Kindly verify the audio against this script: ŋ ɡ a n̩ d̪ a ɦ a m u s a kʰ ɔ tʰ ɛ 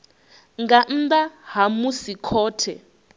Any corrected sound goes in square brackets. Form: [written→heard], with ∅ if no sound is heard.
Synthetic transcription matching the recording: ŋ ɡ a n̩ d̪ a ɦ a m u s [a→i] kʰ [ɔ→ɔː] tʰ ɛ